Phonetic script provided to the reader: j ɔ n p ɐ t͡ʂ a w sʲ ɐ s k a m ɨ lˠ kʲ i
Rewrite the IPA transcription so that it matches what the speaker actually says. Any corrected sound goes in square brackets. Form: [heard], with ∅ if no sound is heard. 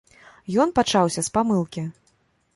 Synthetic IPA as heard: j ɔ n p [a] t͡ʂ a w sʲ ɐ s [p] a m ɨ lˠ kʲ i